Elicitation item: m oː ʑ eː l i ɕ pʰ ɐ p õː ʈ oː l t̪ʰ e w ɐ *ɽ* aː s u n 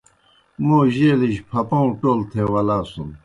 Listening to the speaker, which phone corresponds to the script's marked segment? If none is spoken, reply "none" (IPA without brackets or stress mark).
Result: l